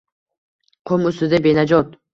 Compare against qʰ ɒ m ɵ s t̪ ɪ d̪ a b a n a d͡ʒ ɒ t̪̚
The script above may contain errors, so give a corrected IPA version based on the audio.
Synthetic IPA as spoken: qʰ o m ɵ s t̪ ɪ d̪ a b e n a d͡ʒ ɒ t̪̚